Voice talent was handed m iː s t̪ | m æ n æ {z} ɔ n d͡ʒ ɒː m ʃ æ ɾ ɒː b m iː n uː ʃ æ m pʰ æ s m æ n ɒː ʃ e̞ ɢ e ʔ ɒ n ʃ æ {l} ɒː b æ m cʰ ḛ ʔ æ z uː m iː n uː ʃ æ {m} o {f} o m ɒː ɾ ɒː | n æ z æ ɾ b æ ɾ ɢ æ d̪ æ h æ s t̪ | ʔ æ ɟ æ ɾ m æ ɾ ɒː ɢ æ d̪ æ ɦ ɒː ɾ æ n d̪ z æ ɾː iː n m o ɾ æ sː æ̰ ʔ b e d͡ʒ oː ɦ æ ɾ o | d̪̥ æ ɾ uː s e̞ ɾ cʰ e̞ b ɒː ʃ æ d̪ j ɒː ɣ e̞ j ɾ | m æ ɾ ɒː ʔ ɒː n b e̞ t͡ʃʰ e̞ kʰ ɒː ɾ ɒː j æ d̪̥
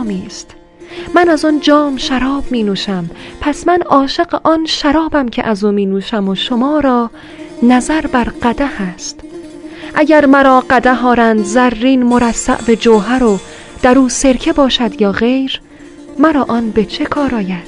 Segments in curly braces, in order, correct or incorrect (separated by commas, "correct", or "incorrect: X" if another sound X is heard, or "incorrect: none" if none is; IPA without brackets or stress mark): correct, incorrect: ɾ, correct, incorrect: ʃ